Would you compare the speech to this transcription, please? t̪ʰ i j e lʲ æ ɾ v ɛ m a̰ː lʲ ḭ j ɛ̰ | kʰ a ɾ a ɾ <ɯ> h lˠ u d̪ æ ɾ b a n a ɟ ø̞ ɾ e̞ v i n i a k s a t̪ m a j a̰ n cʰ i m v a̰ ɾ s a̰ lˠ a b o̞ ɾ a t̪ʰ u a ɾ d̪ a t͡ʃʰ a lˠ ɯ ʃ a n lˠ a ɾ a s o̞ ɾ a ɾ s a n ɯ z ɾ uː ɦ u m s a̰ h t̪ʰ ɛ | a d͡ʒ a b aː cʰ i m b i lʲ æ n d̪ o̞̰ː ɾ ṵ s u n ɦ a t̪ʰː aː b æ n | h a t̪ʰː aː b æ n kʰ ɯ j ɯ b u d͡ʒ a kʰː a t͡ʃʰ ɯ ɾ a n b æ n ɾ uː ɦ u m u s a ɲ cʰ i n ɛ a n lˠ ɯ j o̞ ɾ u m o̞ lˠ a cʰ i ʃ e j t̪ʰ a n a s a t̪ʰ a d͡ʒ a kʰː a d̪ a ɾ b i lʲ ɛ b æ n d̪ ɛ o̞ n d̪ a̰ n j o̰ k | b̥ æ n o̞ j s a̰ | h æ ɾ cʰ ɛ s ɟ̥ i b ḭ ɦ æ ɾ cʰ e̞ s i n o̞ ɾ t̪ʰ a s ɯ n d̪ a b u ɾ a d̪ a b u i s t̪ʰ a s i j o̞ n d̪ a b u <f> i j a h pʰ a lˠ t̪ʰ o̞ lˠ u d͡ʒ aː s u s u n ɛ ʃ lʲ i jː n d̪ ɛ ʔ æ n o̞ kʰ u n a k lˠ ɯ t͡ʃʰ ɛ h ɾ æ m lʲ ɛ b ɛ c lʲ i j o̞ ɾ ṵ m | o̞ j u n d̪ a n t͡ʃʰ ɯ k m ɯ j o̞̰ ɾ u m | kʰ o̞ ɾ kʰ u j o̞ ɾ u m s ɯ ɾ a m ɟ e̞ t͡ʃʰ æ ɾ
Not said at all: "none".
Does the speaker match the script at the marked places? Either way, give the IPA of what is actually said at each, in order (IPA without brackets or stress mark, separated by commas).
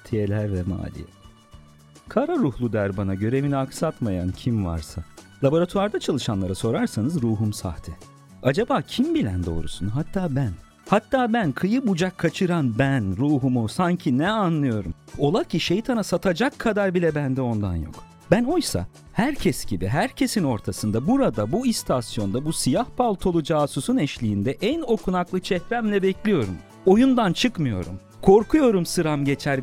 u, s